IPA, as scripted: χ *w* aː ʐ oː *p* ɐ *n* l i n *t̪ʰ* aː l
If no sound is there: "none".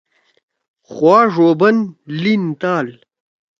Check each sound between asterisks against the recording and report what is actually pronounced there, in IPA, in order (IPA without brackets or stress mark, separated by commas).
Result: w, b, n, t̪